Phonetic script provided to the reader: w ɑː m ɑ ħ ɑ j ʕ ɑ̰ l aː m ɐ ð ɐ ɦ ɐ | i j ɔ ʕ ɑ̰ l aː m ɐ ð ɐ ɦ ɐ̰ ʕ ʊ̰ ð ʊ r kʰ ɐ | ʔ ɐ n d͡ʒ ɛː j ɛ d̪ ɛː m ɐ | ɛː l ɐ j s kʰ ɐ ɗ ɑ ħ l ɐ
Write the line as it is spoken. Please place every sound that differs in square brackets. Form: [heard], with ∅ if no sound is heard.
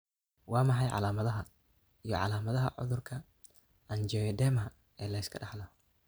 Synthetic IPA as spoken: w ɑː m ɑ ħ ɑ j ʕ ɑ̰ l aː m ɐ ð ɐ ɦ ɐ | i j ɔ ʕ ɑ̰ l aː m ɐ ð ɐ ɦ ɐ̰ ʕ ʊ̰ ð ʊ r kʰ ɐ | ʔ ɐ n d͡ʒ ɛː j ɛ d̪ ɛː m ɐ | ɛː l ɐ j s kʰ ɐ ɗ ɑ ħ l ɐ